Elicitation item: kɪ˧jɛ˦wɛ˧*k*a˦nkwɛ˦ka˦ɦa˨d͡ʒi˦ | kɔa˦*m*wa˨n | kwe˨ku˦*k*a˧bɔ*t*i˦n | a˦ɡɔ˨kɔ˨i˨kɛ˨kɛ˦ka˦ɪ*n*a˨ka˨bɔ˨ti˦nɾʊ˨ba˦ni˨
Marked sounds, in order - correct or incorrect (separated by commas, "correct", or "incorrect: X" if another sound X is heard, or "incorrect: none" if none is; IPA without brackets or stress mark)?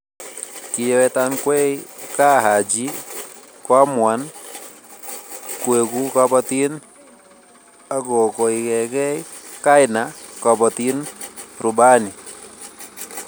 incorrect: t, correct, correct, correct, correct